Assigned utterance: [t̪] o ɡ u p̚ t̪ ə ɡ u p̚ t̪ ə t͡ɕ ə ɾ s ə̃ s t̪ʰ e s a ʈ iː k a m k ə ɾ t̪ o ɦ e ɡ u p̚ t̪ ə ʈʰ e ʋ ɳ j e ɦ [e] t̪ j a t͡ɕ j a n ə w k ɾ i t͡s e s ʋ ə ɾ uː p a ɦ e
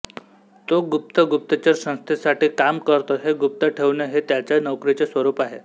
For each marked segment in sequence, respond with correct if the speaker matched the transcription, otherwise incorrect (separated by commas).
correct, correct